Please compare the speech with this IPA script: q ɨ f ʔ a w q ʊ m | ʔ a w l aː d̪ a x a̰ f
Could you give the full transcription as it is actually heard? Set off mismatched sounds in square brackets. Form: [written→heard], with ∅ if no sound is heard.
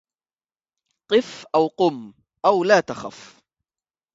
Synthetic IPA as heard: q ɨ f ʔ a w q ʊ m | ʔ a w l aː [d̪→t̪] a x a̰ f